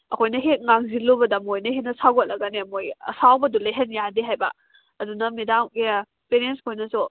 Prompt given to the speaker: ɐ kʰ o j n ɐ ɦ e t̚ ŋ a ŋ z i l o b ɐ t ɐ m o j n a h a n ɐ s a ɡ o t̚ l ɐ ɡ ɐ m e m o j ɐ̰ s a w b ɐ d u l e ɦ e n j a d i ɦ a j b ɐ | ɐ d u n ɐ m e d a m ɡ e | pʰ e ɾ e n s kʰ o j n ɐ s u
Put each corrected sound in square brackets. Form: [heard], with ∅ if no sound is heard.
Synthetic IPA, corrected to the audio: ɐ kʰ o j n ɐ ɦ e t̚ ŋ a ŋ z i l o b ɐ [d] ɐ m o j n [ɐ] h [e] n ɐ s a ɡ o t̚ l ɐ ɡ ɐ [n] e m o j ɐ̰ s a w b ɐ d u l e ɦ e n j a d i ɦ a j b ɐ | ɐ d u n ɐ m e d a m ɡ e | [p] e ɾ e n s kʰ o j n ɐ s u